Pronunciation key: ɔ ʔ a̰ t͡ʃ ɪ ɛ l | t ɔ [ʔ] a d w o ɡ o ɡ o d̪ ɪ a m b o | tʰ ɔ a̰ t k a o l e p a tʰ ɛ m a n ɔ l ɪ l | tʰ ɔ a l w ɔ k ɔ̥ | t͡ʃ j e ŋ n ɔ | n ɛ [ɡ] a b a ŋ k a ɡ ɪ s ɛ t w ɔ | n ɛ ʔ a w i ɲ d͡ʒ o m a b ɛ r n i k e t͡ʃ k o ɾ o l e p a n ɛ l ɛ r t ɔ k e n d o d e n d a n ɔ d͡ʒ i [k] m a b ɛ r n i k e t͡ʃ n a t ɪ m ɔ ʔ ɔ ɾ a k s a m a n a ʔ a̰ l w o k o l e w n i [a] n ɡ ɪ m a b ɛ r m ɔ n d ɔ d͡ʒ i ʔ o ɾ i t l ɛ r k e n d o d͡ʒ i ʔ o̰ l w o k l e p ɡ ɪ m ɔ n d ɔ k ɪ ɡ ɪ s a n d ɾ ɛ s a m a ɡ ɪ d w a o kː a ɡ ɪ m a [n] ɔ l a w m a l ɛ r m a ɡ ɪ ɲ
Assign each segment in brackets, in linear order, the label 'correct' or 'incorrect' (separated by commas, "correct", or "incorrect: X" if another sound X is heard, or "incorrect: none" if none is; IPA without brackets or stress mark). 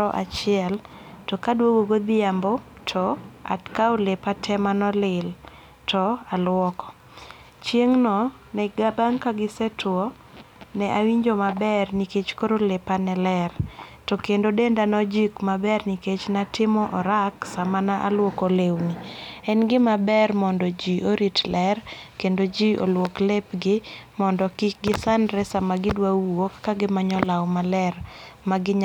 incorrect: k, correct, correct, incorrect: ɛ, incorrect: ɲ